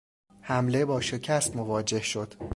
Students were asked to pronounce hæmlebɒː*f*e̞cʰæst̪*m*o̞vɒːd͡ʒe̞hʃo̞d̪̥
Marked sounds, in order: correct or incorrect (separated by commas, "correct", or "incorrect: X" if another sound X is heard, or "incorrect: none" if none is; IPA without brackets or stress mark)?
incorrect: ʃ, correct